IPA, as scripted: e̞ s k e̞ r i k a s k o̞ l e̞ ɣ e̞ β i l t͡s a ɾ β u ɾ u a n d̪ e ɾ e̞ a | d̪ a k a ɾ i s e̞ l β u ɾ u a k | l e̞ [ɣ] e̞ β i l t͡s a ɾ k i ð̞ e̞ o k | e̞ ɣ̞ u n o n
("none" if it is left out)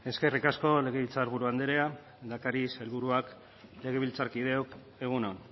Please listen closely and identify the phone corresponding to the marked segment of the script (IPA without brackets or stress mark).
ɣ